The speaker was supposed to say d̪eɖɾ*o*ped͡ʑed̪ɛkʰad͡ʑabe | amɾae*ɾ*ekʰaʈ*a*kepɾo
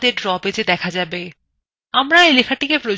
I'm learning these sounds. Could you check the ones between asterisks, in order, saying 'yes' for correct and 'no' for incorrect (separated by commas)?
no, no, no